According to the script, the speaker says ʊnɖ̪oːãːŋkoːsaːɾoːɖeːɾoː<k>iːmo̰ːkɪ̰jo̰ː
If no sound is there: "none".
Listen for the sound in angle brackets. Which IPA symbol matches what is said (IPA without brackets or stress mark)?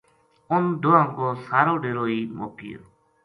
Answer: none